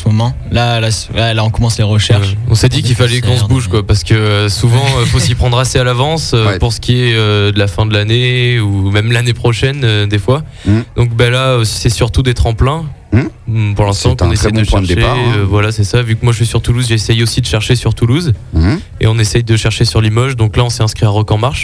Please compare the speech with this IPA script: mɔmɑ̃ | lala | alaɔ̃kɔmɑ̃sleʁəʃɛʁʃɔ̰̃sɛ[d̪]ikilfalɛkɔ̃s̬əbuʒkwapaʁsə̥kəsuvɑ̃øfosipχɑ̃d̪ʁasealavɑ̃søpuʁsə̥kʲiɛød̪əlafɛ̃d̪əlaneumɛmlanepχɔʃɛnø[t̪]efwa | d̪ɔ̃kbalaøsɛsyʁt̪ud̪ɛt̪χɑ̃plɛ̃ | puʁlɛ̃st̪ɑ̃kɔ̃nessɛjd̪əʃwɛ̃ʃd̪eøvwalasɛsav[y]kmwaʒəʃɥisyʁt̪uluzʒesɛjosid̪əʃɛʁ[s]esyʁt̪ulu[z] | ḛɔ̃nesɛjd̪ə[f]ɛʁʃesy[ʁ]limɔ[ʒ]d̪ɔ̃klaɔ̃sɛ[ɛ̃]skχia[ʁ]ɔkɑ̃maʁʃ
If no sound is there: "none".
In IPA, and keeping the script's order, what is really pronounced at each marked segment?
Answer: d̪, d̪, y, ʃ, z, ʃ, ʁ, ʒ, ɛ̃, ʁ

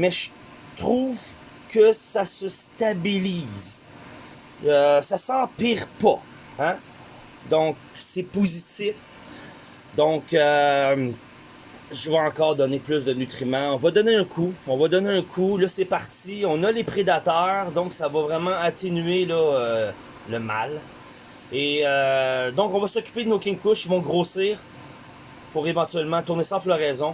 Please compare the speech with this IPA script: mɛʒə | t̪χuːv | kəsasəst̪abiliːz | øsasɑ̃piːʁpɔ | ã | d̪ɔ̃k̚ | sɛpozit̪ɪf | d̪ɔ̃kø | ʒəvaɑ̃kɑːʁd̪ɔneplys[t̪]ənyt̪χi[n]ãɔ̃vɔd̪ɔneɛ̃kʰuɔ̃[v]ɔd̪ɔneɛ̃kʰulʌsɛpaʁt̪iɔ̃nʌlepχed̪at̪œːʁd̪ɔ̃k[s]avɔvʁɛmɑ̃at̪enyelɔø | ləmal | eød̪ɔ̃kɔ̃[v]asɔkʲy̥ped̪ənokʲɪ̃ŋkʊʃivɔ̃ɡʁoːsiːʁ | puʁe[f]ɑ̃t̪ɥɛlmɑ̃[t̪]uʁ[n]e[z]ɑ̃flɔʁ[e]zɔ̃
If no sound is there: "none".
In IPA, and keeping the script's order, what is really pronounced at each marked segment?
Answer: d̪, m, v, s, v, v, t̪, n, s, ɛ

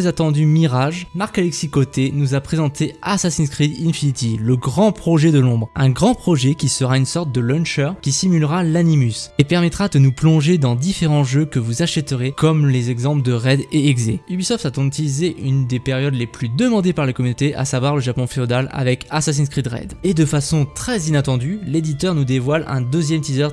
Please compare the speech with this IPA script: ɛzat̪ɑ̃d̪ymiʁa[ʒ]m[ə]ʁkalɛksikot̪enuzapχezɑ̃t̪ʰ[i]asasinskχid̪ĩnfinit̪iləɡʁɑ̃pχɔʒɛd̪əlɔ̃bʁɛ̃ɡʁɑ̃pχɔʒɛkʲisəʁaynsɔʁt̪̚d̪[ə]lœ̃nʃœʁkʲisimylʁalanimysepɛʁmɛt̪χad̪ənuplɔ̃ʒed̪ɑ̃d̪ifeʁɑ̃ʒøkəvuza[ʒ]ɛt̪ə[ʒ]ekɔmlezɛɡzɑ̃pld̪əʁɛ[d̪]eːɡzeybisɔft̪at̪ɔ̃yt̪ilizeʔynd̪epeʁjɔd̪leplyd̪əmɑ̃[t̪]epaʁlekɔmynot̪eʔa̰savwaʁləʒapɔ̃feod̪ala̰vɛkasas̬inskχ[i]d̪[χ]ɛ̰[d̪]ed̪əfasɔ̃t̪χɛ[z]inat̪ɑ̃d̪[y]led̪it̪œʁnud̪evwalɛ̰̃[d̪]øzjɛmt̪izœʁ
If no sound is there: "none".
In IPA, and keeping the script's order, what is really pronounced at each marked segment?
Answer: ʒ, a, e, ə, ʃ, ʁ, d̪, d̪, i, ʁ, d̪, z, y, d̪

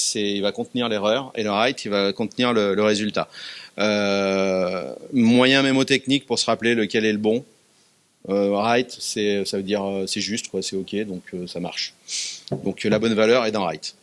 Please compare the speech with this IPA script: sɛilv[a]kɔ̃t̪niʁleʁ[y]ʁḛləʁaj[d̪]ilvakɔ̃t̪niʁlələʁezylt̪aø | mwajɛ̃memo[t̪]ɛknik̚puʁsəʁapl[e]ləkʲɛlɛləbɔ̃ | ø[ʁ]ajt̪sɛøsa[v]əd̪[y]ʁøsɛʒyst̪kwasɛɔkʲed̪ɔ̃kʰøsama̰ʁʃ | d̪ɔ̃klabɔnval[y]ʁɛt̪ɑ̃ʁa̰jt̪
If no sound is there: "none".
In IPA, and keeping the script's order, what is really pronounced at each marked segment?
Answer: a, œ, t̪, t̪, e, ʁ, v, i, œ

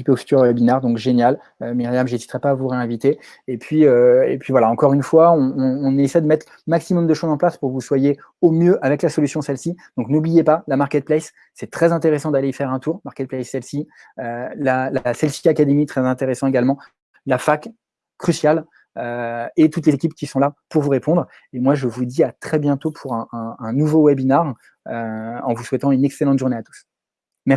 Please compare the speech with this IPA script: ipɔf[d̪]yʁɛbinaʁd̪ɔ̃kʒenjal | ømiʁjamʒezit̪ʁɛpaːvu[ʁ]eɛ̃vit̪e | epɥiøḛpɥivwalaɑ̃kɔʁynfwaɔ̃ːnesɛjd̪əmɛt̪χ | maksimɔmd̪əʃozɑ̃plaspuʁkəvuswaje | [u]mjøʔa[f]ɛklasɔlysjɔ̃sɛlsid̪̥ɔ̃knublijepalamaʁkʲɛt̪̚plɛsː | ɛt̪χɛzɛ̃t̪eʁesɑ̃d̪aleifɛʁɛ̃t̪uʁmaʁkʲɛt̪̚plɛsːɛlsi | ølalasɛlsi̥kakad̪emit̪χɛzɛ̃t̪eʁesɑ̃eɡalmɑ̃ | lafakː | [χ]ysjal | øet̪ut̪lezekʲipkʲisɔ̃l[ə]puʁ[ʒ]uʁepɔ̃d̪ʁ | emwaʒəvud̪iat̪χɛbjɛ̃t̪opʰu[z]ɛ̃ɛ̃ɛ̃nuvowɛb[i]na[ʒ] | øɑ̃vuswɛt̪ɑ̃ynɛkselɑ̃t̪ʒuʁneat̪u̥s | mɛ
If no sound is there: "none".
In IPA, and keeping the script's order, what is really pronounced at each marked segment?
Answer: t̪, ʁ, o, v, χ, a, v, ʁ, i, ʁ

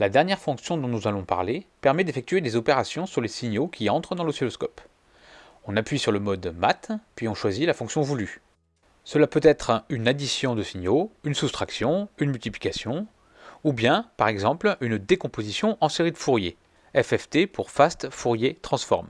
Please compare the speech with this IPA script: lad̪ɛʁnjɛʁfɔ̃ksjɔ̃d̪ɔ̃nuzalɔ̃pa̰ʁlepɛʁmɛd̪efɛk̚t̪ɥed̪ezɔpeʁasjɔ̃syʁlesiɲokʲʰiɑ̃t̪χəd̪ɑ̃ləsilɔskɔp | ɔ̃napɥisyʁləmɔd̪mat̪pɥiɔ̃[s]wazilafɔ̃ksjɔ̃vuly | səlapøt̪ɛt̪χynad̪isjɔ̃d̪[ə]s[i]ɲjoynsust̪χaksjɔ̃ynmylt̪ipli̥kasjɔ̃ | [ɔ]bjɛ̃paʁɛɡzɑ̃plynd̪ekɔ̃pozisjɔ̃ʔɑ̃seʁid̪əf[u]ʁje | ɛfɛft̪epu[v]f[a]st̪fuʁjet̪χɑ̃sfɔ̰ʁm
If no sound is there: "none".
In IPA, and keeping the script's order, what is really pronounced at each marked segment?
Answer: ʃ, ə, i, u, u, ʁ, a

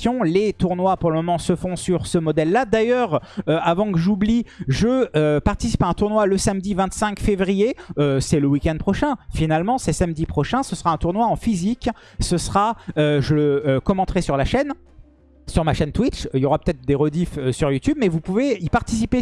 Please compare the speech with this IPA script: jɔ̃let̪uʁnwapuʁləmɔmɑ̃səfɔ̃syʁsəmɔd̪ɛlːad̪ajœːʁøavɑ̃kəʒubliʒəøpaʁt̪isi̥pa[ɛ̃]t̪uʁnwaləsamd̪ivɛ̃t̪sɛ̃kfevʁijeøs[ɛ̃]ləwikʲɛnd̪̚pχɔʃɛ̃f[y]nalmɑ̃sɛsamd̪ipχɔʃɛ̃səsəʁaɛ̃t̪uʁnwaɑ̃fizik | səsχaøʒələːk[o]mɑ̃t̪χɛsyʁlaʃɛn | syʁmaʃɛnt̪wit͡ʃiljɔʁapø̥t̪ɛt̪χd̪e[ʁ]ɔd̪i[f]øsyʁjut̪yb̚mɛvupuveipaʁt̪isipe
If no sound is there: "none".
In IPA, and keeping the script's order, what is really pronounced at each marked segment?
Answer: ɛ̃, ɛ, i, ɔ, ʁ, f

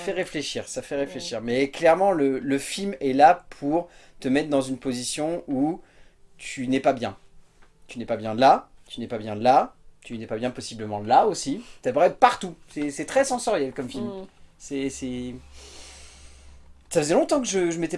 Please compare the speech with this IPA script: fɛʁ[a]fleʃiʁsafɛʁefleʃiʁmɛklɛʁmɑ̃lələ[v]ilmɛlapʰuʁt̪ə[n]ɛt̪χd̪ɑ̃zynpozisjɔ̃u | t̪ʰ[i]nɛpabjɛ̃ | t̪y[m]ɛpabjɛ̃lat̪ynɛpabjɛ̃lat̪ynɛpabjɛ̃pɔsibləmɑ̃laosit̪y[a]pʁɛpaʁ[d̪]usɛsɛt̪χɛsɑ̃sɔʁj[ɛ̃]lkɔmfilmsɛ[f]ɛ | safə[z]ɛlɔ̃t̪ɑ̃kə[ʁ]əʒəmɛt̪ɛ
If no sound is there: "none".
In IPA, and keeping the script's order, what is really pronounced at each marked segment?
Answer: e, f, m, y, n, a, t̪, ɛ, s, z, ʒ

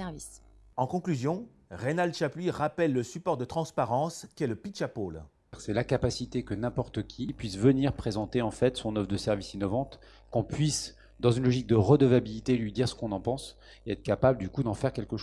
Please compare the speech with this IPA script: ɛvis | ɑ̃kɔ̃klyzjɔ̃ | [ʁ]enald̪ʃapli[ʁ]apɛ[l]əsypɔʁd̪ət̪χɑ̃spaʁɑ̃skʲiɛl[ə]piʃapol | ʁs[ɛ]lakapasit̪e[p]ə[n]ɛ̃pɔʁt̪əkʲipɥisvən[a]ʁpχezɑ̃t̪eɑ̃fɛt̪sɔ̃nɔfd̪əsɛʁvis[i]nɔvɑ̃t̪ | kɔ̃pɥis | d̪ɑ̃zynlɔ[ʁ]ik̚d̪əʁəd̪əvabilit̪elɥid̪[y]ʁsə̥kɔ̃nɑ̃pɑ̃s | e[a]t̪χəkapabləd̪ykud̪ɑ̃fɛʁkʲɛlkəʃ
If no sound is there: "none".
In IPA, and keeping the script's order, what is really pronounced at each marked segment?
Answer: ʁ, ʁ, lː, ə, ɛ, k, n, i, i, ʒ, i, ɛ

